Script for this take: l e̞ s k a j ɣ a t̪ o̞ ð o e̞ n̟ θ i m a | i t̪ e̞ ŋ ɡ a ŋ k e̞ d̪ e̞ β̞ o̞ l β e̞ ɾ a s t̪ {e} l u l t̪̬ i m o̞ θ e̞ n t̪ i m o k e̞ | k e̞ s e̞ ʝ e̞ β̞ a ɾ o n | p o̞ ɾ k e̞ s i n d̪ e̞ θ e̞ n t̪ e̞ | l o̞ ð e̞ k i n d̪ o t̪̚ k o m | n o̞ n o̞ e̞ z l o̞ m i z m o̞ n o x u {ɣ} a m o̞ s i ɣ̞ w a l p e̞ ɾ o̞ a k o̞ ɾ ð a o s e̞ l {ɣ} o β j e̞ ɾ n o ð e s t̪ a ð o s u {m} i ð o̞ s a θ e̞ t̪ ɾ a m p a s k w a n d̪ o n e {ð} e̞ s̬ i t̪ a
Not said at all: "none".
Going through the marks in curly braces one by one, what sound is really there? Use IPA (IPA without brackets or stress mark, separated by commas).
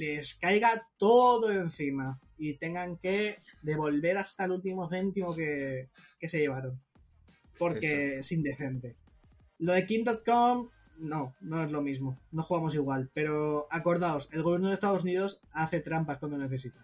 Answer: a, ɣ, ɣ, n, θ